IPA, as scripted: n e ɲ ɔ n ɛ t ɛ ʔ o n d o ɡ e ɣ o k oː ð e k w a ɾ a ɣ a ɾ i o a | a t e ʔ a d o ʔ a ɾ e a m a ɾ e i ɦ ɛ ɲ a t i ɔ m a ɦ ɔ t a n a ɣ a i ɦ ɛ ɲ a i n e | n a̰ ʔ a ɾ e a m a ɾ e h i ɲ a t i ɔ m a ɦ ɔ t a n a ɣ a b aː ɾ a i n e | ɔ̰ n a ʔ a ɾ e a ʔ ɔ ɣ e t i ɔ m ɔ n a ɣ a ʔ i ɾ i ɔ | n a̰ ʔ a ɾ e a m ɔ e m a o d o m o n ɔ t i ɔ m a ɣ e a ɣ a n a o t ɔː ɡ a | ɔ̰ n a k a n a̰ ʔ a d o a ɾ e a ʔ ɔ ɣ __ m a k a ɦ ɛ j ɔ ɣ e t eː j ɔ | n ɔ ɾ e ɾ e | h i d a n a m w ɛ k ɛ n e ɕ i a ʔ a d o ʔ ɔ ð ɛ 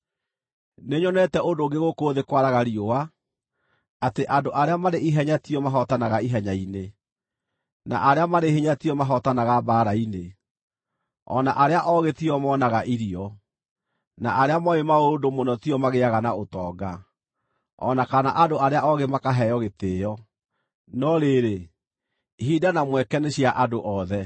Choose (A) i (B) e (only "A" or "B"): B